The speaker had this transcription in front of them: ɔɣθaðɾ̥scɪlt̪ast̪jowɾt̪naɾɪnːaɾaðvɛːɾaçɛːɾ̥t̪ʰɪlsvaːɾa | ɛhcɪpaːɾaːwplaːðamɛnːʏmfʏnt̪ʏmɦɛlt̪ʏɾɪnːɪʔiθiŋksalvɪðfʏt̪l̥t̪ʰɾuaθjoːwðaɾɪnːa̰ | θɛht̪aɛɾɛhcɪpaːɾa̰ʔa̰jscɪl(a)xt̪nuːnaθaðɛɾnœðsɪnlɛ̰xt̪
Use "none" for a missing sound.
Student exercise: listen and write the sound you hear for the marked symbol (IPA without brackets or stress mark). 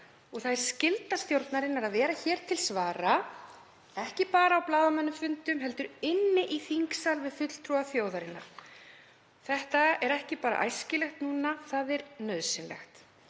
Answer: ɛ